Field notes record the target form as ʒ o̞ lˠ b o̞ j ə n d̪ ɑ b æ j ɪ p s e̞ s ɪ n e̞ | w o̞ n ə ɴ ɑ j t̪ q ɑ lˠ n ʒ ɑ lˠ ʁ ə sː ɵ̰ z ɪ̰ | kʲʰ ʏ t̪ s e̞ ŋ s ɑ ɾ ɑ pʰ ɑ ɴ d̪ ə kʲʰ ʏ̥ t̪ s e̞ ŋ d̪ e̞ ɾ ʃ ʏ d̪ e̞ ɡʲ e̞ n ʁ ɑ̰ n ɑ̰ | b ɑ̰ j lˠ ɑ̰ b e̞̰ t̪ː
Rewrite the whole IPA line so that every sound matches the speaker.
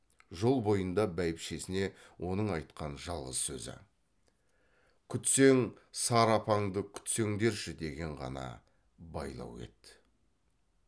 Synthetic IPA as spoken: ʒ o̞ lˠ b o̞ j ə n d̪ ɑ b æ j ɪ p ʃ e̞ s ɪ n e̞ | w o̞ n ə ɴ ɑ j t̪ q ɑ n ʒ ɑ lˠ ʁ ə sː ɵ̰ z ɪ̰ | kʲʰ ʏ t̪ s e̞ ŋ s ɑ ɾ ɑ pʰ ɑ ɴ d̪ ə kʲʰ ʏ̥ t̪ s e̞ ŋ d̪ e̞ ɾ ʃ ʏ d̪ e̞ ɡʲ e̞ ɴ ʁ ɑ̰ n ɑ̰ | b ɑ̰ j lˠ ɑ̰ w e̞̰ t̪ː